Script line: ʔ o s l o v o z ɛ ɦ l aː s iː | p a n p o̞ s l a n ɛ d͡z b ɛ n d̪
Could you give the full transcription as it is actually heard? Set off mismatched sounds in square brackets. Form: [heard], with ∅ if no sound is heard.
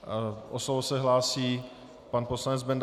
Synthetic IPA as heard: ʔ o s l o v o [s] ɛ ɦ l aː s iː | p a n p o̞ s l a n ɛ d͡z b ɛ n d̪